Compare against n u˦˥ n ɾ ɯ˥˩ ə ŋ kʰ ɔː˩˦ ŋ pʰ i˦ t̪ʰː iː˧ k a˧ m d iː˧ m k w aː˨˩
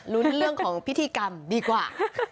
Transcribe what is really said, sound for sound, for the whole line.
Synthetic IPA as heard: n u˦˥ n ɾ ɯ˥˩ ə ŋ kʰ ɔː˩˦ ŋ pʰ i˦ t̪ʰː iː˧ k a˧ m d iː˧ k w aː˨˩